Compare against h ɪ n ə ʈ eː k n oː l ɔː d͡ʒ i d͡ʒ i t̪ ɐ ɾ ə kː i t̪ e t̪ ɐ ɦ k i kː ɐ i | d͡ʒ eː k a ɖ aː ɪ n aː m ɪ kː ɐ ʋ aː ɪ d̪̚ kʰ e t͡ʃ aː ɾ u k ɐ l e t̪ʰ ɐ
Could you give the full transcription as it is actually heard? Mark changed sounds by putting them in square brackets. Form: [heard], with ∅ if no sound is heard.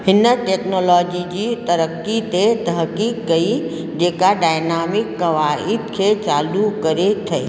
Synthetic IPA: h ɪ n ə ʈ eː k n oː l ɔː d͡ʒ i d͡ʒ i t̪ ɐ ɾ ə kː i t̪ e t̪ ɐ ɦ k i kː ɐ i | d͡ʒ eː k a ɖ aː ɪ n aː m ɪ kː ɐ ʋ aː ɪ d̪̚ kʰ e t͡ʃ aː [l] u k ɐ [ɾ] e t̪ʰ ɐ

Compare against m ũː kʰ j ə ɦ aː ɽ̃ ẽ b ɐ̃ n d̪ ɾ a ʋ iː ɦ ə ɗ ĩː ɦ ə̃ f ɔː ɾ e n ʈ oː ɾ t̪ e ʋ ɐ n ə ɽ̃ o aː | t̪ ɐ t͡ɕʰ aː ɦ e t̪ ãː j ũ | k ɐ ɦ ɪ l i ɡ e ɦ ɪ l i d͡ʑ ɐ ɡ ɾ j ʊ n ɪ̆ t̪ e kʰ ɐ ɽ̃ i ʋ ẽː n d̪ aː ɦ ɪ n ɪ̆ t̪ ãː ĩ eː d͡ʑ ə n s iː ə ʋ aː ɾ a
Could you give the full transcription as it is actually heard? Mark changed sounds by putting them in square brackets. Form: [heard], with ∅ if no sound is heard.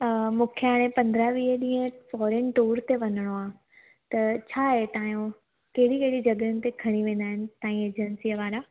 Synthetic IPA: m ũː kʰ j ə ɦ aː ɽ̃ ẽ [p] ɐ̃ n d̪ ɾ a ʋ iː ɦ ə ɗ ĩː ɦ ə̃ f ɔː ɾ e n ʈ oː ɾ t̪ e ʋ ɐ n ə ɽ̃ o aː | t̪ ɐ t͡ɕʰ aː ɦ e t̪ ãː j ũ | k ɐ ɦ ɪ [ɽ] i [k] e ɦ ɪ [ɽ] i d͡ʑ ɐ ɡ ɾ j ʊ n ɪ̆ t̪ e kʰ ɐ ɽ̃ i ʋ ẽː n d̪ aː ɦ ɪ n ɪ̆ t̪ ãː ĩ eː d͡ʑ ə n s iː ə ʋ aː ɾ a

